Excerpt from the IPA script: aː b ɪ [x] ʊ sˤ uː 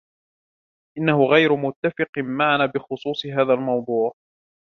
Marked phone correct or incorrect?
correct